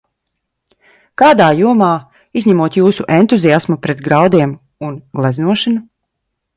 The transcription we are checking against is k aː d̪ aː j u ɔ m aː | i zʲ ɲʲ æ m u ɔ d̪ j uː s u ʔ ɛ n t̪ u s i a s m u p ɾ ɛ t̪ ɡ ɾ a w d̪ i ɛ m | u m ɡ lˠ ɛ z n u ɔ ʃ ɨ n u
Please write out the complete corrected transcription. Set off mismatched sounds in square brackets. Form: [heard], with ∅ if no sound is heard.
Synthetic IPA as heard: k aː d̪ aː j u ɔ m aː | i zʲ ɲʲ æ m u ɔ [t̪] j uː s u ʔ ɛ n t̪ u [z] i a s m u p ɾ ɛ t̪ ɡ ɾ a w d̪ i ɛ m | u [n] ɡ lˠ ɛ z n u ɔ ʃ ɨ n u

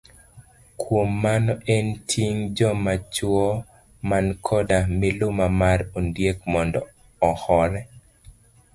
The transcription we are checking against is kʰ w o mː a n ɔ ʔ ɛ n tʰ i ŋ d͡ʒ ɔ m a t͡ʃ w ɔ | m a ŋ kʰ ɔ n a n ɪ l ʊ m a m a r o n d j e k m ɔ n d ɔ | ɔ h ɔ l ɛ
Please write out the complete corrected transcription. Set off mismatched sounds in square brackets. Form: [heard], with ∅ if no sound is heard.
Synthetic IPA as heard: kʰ w o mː a n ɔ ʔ ɛ n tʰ i ŋ d͡ʒ ɔ m a t͡ʃ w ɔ | m a [n] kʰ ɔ [d] a [m] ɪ l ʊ m a m a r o n d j e k m ɔ n d ɔ | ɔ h ɔ [ɾ] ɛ

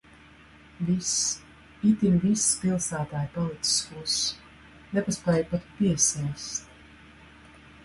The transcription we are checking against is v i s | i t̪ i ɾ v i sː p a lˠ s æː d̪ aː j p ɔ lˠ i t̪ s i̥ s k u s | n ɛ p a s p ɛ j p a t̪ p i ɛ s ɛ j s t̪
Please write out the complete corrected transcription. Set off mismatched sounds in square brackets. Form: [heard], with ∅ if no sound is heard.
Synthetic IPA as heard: v i s | i t̪ i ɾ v i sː p [i] lˠ s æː [t̪] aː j p ɔ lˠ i t̪ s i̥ s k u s | n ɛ p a s p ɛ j p a t̪ p i ɛ s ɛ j s t̪

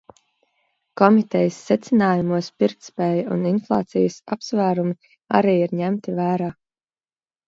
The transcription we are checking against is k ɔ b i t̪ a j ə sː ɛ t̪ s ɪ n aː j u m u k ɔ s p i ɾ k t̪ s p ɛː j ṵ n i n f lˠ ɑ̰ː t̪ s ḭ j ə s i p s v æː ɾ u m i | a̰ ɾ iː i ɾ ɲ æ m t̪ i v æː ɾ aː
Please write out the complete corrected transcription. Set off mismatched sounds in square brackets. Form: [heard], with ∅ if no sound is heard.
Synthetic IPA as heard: k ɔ [m] i t̪ [ɛ] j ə sː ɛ t̪ s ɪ n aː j u m u [∅] ɔ s p i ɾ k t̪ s p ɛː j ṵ n i n f lˠ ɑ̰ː t̪ s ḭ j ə s [a] p s v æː ɾ u m i | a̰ ɾ iː i ɾ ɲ æ m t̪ i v æː ɾ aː

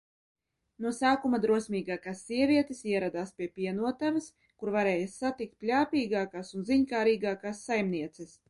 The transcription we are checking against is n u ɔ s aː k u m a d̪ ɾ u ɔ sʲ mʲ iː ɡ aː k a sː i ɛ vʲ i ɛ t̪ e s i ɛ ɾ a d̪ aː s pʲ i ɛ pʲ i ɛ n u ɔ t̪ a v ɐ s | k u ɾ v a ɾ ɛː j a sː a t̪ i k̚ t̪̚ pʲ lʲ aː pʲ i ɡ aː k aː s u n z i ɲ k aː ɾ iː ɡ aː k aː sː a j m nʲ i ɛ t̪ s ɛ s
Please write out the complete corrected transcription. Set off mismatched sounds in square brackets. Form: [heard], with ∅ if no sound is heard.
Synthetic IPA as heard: n u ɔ s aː k u m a d̪ ɾ u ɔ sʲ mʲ iː ɡ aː k a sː i ɛ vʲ i ɛ t̪ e s i ɛ ɾ a d̪ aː s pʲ i ɛ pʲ i ɛ n u ɔ t̪ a v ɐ s | k u ɾ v a ɾ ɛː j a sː a t̪ i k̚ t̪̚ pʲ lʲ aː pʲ [iː] ɡ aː k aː s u n z i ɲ k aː ɾ iː ɡ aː k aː sː a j m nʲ i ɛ t̪ s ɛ s

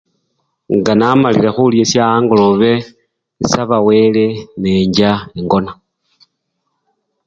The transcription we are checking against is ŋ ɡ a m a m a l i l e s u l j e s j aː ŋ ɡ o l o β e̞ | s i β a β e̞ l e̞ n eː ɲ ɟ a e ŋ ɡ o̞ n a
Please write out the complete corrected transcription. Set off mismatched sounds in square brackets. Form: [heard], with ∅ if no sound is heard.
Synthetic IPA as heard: ŋ ɡ a [n] a m a l i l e [x] u l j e s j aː ŋ ɡ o l o β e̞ | s [a] β a [w] e̞ l e̞ n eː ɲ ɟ a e ŋ ɡ o̞ n a

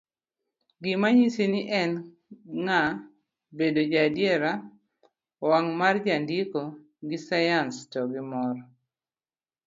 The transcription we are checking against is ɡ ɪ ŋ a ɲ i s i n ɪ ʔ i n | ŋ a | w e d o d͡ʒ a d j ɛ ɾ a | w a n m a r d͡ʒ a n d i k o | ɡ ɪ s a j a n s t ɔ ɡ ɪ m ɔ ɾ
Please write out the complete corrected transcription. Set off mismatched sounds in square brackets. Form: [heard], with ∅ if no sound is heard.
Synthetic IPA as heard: ɡ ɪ [m] a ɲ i s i n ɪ ʔ [ɛ] n | ŋ a | [b] e d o d͡ʒ a d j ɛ ɾ a | w a [ŋ] m a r d͡ʒ a n d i k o | ɡ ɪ s a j a n s t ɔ ɡ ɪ m ɔ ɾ

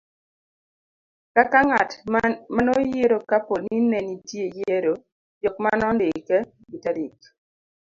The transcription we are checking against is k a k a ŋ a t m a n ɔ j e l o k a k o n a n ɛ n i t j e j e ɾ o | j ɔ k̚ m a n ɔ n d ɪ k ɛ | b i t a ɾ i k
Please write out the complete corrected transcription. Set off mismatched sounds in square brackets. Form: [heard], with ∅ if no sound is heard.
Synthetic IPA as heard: k a k a ŋ a t m a n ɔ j e [ɾ] o k a [p] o n [i] n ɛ n i t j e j e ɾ o | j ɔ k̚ m a n ɔ n d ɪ k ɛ | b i t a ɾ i k

